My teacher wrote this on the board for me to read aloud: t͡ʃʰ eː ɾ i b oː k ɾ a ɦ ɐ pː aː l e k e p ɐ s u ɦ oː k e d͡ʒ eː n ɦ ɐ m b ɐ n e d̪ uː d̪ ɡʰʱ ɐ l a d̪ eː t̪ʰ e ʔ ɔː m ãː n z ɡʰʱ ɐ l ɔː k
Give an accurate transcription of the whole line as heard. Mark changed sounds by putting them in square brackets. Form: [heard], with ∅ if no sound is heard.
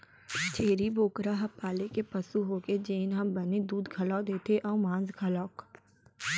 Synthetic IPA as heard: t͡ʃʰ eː ɾ i b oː k ɾ a ɦ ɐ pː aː l e k e p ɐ s u ɦ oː k e d͡ʒ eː n ɦ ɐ m b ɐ n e d̪ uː d̪ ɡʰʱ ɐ l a d̪ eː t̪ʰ e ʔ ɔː m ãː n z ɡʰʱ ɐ l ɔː k